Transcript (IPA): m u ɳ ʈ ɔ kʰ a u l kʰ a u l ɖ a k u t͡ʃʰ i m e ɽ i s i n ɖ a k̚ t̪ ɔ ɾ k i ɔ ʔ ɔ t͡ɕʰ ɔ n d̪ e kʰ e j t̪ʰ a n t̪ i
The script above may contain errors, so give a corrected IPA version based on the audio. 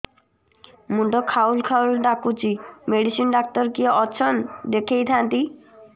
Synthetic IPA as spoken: m u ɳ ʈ ɔ kʰ a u l kʰ a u l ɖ a k u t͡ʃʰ i m e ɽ i s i n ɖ a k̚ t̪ ɔ ɾ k i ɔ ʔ ɔ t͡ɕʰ ɔ n d̪ e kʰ e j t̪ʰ a n t̪ i